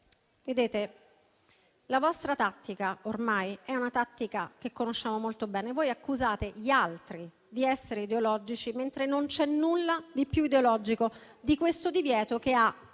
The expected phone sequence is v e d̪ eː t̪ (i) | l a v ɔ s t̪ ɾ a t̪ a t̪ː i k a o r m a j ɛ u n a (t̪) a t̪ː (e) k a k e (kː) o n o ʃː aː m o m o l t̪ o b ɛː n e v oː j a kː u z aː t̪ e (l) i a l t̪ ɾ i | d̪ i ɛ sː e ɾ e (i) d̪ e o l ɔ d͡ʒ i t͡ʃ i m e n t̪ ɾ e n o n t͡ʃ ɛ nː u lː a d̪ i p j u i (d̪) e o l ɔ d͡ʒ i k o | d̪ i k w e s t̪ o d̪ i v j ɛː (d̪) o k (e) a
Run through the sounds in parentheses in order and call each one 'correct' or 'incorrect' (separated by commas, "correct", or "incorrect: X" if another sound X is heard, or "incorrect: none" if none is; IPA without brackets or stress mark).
incorrect: e, correct, incorrect: i, correct, incorrect: ʎ, correct, correct, incorrect: t̪, correct